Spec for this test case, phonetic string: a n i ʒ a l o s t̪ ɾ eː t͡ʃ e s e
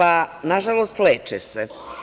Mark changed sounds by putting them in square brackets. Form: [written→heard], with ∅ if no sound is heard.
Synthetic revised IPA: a n [i→a] ʒ a l o s t̪ [ɾ→l] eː t͡ʃ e s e